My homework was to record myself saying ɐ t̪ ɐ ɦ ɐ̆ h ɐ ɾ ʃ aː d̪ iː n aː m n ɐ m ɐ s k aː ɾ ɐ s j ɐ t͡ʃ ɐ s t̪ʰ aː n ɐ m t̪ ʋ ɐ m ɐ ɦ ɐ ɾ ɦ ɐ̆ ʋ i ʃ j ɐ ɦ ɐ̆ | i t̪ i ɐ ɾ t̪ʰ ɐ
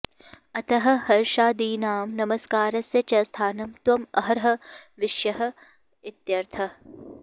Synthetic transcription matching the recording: ɐ t̪ ɐ ɦ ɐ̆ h ɐ ɾ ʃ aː d̪ iː n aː m n ɐ m ɐ s k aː ɾ ɐ s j ɐ t͡ʃ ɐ s t̪ʰ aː n ɐ m t̪ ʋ ɐ m ɐ ɦ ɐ ɾ ɦ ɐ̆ ʋ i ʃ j ɐ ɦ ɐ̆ | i t̪ j ɐ ɾ t̪ʰ ɐ

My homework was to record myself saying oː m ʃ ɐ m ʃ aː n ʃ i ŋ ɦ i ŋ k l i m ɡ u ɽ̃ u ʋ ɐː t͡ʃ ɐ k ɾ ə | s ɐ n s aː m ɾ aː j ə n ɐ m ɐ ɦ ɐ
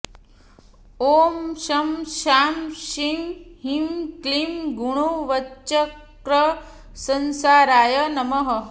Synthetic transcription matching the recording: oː m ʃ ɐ m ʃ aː m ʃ i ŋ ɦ i m k l i m ɡ u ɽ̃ u ʋ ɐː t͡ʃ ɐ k ɾ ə | s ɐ n s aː ɾ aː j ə n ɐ m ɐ ɦ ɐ

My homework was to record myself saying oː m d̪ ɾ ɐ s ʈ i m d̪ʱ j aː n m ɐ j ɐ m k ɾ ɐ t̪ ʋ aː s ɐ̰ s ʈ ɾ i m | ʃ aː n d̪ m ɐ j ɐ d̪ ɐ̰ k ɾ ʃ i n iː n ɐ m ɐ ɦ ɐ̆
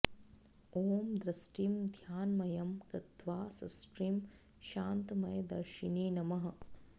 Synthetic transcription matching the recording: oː m d̪ ɾ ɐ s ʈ i m d̪ʱ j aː n m ɐ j ɐ m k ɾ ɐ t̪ ʋ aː s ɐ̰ s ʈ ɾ i m | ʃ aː n t̪ m ɐ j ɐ d̪ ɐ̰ ɾ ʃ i n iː n ɐ m ɐ ɦ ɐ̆

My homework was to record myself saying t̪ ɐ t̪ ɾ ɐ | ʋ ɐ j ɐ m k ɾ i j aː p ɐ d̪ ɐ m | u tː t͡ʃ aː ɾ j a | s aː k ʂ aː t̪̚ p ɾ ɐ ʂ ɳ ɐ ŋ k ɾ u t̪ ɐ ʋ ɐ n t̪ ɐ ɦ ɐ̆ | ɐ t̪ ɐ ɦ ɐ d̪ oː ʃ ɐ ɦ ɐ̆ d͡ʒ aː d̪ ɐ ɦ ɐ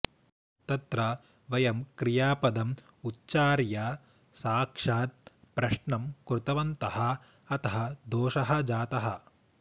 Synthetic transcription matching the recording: t̪ ɐ t̪ ɾ ɐ | ʋ ɐ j ɐ m k ɾ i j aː p ɐ d̪ ɐ m | u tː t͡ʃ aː ɾ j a | s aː k ʂ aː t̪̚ p ɾ ɐ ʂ ɳ ɐ m k ɾ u t̪ ɐ ʋ ɐ n t̪ ɐ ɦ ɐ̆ | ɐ t̪ ɐ ɦ ɐ d̪ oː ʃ ɐ ɦ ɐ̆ d͡ʒ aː t̪ ɐ ɦ ɐ

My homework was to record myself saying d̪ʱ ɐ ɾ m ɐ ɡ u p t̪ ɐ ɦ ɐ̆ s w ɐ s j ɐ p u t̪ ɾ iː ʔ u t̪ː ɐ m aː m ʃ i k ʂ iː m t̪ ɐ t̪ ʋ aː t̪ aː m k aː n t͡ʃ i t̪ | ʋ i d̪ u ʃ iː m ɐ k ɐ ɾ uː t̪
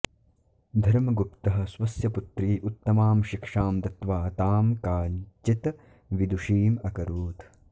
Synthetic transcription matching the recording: d̪ʱ ɐ ɾ m ɐ ɡ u p t̪ ɐ ɦ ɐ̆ s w ɐ s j ɐ p u t̪ ɾ iː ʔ u t̪ː ɐ m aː m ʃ i k ʂ aː m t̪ ɐ t̪ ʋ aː t̪ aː m k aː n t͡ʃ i t̪ | ʋ i d̪ u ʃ iː m ɐ k ɐ ɾ uː t̪

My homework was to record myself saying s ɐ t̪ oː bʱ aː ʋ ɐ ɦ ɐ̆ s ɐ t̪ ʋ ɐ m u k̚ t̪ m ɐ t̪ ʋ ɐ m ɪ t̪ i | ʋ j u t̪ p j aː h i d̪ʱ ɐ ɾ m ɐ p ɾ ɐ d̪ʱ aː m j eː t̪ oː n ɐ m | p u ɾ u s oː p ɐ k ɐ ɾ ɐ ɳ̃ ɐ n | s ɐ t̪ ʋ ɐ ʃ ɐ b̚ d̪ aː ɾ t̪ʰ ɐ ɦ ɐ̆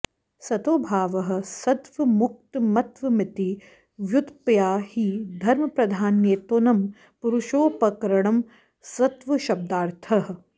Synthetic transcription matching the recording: s ɐ t̪ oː bʱ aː ʋ ɐ ɦ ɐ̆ s ɐ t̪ ʋ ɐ m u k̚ t̪ m ɐ t̪ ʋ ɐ m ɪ t̪ i | ʋ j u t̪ p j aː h i d̪ʱ ɐ ɾ m ɐ p ɾ ɐ d̪ʱ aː n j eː t̪ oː n ɐ m | p u ɾ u ʃ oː p ɐ k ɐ ɾ ɐ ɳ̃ ɐ m | s ɐ t̪ ʋ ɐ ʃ ɐ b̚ d̪ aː ɾ t̪ʰ ɐ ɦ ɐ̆

